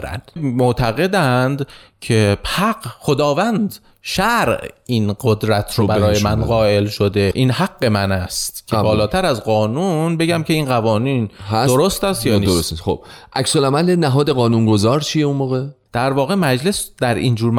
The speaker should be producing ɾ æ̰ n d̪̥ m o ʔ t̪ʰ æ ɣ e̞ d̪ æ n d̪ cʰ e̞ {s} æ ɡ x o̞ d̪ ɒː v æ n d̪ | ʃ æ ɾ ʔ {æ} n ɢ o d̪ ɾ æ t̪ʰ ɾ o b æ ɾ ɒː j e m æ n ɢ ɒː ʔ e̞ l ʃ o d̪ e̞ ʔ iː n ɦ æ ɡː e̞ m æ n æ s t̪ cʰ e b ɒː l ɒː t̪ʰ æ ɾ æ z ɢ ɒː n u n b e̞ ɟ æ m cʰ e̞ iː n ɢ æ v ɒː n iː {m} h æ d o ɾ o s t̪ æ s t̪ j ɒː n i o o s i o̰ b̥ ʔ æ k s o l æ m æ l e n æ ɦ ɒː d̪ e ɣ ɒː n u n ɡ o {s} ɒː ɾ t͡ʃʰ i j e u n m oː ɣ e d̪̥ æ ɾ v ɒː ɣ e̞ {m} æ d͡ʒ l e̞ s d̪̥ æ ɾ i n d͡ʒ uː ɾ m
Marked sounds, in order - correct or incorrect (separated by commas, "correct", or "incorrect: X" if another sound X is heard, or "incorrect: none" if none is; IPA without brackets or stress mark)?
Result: incorrect: h, incorrect: i, incorrect: n, incorrect: z, correct